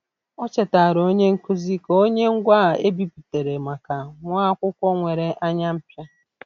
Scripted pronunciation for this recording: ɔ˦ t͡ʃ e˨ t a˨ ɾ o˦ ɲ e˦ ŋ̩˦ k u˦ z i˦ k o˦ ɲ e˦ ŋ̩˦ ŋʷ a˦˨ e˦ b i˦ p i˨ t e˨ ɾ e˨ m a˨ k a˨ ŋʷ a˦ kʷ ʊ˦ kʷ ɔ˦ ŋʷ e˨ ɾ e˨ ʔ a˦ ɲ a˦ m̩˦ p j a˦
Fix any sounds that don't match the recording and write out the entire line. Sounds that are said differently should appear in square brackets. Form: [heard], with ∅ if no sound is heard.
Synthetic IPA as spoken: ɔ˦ t͡ʃ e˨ t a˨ ɾ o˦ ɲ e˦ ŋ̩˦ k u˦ z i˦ k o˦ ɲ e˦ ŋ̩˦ [ɡʷ] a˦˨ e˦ b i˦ p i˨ t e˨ ɾ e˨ m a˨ k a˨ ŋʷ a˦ kʷ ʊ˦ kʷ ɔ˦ ŋʷ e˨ ɾ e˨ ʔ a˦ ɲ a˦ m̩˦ p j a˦